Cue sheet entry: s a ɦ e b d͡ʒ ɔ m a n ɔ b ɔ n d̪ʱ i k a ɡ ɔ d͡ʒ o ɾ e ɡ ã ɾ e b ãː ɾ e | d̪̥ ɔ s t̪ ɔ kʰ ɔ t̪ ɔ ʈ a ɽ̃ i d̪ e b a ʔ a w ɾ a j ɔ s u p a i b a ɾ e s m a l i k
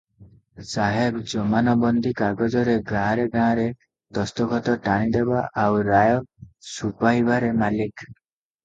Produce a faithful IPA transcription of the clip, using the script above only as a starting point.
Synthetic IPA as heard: s a ɦ e b d͡ʒ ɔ m a n ɔ b ɔ n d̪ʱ i k a ɡ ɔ d͡ʒ ɔ ɾ e ɡ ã ɾ e ɡ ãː ɾ e | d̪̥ ɔ s t̪ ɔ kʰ ɔ t̪ ɔ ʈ a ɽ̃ i d̪ e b a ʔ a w ɾ a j ɔ s u p a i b a ɾ e m a l i k